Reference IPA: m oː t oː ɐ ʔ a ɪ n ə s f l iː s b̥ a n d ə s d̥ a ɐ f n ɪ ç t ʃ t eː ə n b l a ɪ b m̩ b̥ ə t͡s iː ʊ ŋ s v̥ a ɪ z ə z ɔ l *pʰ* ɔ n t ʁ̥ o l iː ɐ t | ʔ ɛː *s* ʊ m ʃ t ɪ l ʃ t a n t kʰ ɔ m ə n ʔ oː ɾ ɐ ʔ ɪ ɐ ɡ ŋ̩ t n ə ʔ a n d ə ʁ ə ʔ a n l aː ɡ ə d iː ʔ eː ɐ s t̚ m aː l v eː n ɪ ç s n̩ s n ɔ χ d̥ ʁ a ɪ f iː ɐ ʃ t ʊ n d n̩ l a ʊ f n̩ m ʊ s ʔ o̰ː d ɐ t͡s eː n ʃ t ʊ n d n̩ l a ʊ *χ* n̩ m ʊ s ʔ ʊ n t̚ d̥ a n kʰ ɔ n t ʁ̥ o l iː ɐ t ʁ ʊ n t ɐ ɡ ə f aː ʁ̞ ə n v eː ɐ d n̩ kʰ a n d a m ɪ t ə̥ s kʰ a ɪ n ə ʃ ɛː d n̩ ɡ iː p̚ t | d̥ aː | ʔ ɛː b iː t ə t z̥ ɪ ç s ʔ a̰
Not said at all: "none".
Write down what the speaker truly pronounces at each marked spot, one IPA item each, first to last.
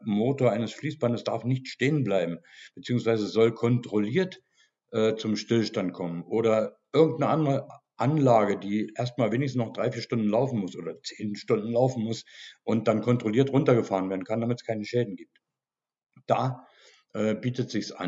kʰ, t͡s, f

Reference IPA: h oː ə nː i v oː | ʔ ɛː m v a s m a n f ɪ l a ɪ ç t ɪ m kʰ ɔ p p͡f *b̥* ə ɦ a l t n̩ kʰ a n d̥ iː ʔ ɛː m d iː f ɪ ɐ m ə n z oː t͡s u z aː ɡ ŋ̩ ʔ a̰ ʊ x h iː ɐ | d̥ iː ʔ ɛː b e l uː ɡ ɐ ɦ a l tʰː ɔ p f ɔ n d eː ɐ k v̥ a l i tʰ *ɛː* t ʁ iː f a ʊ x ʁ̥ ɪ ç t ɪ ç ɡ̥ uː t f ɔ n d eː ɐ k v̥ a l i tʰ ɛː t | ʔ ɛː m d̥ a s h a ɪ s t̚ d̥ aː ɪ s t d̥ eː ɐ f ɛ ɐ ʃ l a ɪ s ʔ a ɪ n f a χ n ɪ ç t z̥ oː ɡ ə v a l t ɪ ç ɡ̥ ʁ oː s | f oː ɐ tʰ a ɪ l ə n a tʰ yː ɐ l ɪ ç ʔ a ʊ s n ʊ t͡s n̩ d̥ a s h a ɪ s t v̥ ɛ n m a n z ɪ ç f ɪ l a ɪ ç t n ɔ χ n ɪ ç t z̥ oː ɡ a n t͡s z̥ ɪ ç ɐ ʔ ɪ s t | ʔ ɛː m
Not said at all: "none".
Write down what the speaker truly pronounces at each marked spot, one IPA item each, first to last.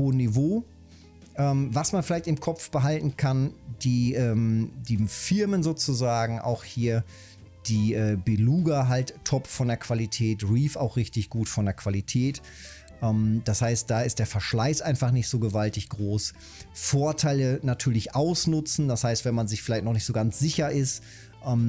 b̥, ɛː

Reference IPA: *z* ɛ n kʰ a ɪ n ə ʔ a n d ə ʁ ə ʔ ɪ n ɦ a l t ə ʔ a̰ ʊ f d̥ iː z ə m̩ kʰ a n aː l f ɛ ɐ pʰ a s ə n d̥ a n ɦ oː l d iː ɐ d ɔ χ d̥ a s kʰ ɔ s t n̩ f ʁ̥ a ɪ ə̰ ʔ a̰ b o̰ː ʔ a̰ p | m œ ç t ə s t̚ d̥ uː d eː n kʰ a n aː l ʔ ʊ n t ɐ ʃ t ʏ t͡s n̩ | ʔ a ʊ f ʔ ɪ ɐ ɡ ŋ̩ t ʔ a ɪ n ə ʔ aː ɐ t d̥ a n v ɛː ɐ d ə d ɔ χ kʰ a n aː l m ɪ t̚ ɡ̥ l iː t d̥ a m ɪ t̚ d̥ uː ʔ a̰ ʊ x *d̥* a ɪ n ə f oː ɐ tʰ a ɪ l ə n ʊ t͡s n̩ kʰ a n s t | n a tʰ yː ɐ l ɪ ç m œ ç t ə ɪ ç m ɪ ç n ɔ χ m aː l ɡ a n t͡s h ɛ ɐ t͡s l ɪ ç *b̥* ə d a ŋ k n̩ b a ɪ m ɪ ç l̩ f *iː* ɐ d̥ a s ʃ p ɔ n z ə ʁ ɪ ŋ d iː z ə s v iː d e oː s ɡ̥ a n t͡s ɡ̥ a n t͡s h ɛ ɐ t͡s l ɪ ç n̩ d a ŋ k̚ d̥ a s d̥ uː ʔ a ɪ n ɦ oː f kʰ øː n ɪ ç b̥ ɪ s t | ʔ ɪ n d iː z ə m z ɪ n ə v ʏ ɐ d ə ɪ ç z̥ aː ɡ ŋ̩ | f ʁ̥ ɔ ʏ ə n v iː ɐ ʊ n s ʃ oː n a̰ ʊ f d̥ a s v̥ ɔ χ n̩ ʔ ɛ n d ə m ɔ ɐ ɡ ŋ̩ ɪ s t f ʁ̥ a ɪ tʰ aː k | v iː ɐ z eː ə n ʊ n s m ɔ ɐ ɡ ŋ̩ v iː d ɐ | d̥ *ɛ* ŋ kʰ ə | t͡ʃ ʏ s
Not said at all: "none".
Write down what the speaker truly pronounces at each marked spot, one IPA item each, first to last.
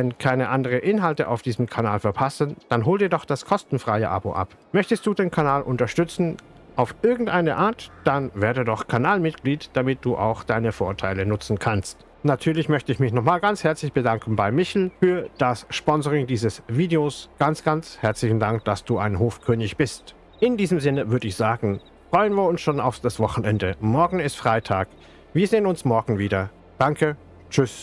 v, d̥, b̥, yː, a

